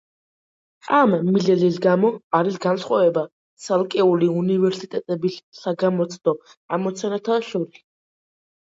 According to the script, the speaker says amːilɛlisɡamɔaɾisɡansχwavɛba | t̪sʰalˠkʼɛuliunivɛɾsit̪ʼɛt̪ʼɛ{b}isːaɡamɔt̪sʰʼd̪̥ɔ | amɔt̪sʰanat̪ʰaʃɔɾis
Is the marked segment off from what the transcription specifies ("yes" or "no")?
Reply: no